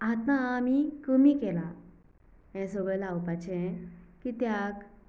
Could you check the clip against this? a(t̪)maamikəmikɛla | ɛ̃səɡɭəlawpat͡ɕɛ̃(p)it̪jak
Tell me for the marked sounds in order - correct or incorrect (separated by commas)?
correct, incorrect